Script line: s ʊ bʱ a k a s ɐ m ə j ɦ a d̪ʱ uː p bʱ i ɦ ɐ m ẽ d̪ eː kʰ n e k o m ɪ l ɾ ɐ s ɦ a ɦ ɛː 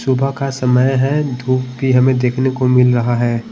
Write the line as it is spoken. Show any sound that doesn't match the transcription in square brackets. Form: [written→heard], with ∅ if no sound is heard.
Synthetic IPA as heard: s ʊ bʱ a k a s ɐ m ə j ɦ [a→ɛ] d̪ʱ uː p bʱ i ɦ ɐ m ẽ d̪ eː kʰ n e k o m ɪ l ɾ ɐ [s→∅] ɦ a ɦ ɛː